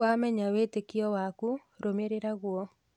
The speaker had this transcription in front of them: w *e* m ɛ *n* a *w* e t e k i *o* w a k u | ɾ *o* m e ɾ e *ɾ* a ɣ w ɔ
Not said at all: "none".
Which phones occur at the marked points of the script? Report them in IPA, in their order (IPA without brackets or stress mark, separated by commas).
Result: a, ɲ, w, ɔ, o, ɾ